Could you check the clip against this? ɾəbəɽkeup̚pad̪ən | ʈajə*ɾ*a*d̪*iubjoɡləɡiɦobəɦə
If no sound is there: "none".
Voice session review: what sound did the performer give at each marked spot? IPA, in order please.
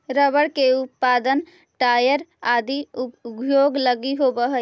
ɾ, d̪

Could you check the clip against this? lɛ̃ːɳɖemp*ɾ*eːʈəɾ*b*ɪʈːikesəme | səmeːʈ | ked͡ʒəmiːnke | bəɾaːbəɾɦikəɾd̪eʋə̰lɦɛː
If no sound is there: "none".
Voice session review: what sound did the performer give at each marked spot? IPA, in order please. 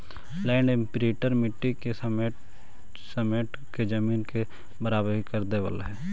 ɾ, m

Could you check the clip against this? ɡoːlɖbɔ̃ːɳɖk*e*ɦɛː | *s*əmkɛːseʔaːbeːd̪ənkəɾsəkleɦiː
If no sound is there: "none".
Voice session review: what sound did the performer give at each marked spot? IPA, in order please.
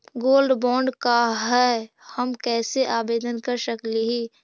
a, h

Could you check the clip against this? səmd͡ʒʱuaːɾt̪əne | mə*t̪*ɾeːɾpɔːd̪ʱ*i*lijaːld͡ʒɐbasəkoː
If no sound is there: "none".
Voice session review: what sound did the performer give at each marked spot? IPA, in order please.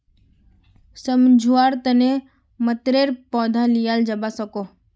t̪, a

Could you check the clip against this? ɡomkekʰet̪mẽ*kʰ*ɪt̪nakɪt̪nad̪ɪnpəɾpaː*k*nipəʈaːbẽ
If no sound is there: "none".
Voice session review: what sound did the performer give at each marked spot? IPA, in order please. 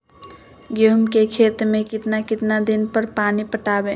k, none

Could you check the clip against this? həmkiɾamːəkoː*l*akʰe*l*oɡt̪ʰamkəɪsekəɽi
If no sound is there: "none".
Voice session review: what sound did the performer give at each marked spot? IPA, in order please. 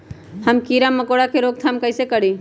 ɽ, ɾ

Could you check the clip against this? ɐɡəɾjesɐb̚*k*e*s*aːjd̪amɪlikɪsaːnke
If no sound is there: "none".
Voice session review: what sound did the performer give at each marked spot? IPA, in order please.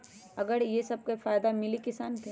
k, f

